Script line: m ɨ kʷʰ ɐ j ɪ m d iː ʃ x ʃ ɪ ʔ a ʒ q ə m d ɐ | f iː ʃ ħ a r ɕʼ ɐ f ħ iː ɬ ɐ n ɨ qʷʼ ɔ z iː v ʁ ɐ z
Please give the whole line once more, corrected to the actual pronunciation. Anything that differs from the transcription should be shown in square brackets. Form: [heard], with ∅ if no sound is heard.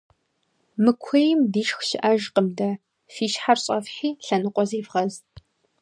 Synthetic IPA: m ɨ kʷʰ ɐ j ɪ m d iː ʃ x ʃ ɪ ʔ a ʒ q ə m d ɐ | f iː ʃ ħ a r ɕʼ ɐ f ħ iː ɬ ɐ n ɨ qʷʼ ɔ z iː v ʁ ɐ z